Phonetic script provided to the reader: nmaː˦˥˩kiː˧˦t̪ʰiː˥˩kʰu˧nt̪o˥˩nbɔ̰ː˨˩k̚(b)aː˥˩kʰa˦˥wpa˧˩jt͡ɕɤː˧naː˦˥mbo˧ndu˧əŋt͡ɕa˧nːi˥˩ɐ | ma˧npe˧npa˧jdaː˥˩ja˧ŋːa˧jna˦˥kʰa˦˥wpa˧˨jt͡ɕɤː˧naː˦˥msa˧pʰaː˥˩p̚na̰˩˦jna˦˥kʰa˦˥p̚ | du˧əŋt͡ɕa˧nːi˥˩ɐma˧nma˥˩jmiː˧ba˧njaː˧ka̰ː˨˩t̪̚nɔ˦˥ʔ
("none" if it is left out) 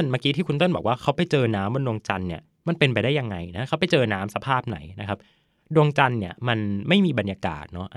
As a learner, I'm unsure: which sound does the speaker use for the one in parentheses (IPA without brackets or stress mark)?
w